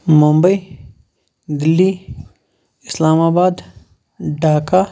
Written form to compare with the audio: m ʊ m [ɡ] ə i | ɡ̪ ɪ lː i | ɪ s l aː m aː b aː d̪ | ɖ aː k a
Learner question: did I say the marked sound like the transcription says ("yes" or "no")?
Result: no